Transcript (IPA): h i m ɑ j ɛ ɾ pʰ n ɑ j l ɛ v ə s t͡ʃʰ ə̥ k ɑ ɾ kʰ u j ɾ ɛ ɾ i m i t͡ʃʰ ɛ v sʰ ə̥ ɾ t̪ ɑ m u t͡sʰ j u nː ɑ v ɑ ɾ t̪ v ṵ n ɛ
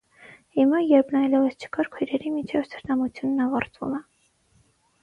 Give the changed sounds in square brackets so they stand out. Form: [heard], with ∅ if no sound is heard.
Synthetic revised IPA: h i m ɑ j ɛ ɾ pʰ n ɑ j l ɛ v ə s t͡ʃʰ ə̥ k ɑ ɾ kʰ u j ɾ ɛ ɾ i m i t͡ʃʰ ɛ v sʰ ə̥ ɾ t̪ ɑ m u t͡sʰ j u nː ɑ v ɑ ɾ t̪ v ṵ [m] ɛ